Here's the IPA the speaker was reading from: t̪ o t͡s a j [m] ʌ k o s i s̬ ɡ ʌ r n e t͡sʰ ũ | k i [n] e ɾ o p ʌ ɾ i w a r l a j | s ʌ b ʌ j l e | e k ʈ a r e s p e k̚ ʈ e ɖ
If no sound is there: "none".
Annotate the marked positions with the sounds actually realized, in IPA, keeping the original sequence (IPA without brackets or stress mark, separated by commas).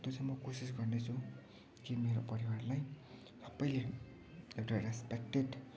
m, m